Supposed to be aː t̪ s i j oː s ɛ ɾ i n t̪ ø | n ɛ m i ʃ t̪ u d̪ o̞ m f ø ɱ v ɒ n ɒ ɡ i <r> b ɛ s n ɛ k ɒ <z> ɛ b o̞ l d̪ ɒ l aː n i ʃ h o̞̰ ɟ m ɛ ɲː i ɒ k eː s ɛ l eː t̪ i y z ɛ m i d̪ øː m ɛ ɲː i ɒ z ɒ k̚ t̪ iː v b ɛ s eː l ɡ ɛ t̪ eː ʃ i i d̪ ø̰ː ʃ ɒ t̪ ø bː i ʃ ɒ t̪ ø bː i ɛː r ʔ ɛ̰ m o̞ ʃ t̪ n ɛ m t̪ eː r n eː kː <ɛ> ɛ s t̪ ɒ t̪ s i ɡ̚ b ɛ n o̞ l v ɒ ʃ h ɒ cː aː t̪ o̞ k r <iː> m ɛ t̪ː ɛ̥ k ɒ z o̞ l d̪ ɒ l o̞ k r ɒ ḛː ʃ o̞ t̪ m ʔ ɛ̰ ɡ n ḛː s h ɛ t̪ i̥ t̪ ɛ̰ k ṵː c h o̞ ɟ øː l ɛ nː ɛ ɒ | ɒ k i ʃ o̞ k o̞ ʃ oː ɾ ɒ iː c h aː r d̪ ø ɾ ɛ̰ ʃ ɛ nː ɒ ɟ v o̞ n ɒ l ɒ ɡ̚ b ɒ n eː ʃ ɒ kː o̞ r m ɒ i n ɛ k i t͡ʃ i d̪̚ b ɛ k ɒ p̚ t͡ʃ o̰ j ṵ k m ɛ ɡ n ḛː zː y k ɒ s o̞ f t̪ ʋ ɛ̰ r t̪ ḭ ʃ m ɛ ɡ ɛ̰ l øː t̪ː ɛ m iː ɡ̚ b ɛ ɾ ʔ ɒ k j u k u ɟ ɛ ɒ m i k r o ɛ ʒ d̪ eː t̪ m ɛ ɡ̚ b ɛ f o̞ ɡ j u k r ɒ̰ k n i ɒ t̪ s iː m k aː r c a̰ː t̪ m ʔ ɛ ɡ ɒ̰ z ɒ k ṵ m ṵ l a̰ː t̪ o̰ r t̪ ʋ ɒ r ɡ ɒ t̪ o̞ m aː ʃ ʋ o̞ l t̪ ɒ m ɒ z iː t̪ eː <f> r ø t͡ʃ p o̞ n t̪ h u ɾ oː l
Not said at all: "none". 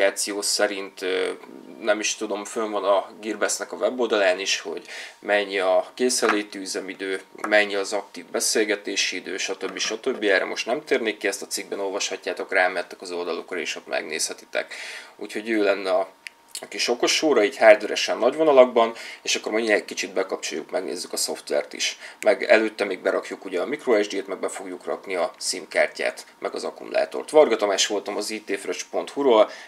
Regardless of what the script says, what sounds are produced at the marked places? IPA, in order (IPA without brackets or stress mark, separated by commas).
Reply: r, v, i, aː, f